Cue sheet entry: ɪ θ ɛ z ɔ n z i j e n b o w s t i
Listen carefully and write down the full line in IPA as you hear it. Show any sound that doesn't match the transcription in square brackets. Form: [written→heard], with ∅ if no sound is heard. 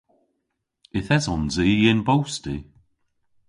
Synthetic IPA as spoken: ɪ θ ɛ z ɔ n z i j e n b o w s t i